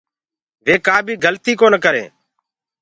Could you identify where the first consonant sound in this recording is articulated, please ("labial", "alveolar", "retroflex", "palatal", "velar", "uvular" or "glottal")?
labial